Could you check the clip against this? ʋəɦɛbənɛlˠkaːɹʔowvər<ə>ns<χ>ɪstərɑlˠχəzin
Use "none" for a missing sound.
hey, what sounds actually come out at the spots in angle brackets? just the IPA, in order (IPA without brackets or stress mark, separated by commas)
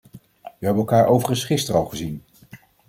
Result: ə, χ